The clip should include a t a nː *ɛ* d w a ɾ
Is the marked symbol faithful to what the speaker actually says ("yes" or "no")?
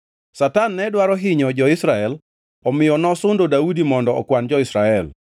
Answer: yes